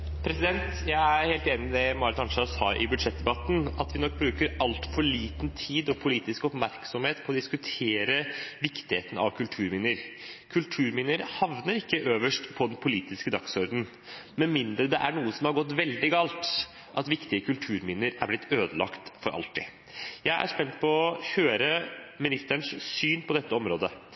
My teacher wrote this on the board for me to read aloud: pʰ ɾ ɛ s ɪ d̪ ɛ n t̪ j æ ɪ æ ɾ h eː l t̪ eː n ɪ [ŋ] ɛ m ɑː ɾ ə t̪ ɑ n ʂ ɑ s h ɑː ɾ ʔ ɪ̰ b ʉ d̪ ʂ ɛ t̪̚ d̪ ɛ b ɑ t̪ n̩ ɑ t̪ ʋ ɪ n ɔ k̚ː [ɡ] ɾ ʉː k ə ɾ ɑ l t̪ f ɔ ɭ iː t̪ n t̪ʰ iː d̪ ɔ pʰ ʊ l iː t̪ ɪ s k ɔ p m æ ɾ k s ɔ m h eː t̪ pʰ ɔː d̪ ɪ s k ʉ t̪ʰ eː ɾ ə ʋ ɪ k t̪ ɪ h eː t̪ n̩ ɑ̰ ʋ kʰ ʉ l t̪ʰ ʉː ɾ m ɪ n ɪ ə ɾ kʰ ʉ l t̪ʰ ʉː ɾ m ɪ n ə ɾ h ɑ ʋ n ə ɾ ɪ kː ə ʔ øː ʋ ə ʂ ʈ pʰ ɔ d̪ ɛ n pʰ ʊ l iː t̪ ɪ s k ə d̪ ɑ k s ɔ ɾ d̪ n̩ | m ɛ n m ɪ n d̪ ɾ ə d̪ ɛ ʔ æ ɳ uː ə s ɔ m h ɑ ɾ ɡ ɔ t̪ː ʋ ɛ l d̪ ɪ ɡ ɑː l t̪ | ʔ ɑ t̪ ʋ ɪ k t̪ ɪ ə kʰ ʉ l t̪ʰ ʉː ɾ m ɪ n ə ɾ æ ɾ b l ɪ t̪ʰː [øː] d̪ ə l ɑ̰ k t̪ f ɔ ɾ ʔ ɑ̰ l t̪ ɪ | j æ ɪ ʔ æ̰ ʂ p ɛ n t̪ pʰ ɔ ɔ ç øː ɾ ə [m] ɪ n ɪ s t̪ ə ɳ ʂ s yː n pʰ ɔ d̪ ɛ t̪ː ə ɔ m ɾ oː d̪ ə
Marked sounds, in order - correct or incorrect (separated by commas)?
incorrect, incorrect, correct, correct